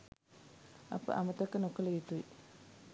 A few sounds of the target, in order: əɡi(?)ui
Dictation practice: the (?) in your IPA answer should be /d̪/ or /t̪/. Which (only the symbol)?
t̪